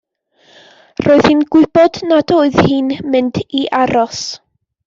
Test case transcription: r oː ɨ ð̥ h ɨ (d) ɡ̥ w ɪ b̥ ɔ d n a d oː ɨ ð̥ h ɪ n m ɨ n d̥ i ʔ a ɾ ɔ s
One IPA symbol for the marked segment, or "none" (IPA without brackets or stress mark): n